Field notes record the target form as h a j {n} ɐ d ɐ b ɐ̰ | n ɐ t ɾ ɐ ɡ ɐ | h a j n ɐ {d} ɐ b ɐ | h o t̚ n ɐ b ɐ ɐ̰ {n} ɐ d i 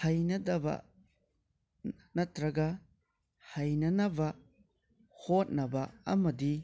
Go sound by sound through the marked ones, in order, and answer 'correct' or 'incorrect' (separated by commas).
correct, incorrect, incorrect